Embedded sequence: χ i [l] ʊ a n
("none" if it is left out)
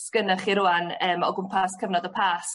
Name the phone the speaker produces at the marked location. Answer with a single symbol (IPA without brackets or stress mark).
ɾ